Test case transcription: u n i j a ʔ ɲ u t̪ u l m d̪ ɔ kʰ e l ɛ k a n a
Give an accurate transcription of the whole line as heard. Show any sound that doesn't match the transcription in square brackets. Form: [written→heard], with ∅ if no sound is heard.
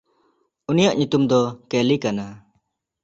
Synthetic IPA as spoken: u n i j a ʔ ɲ u t̪ u [l→∅] m d̪ ɔ [kʰ→k] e l [ɛ→i] k a n a